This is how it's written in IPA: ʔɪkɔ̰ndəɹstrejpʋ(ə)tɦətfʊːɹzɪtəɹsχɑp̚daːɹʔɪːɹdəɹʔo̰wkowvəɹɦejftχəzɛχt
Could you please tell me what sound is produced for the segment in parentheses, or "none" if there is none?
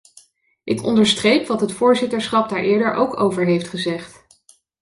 ɑ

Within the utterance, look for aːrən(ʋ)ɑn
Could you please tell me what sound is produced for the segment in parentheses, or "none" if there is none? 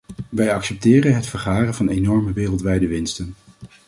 v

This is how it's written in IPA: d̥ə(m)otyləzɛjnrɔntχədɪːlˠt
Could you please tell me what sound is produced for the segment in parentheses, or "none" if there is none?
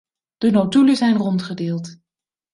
n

